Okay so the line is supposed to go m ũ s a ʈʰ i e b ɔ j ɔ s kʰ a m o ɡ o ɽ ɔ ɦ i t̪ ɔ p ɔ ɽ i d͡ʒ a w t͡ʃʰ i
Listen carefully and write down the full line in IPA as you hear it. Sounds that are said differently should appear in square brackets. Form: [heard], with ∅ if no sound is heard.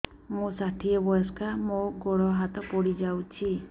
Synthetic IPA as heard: m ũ s a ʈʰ i e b ɔ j ɔ s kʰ a m o ɡ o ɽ ɔ ɦ [a] t̪ ɔ p ɔ ɽ i d͡ʒ a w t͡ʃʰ i